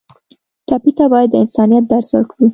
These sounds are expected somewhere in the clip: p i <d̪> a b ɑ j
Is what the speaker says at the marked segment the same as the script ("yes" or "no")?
no